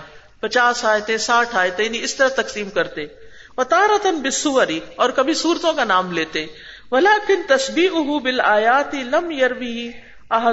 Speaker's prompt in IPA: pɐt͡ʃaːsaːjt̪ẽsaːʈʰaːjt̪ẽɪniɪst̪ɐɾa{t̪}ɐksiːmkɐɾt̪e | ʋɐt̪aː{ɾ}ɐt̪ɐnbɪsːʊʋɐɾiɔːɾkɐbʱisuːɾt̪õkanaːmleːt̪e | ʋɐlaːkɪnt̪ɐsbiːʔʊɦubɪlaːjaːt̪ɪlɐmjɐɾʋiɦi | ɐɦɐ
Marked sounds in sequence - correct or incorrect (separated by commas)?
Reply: correct, correct